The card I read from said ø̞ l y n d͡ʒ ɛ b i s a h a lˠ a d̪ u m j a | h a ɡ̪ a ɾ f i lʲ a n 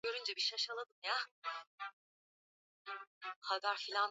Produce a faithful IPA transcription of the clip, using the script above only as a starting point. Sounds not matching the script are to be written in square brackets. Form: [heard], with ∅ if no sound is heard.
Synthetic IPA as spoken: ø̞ [ɾ] y n d͡ʒ ɛ b i [ʃ] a [ʃ] a lˠ a d̪ [ɯ] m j a | h a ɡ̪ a ɾ f i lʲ a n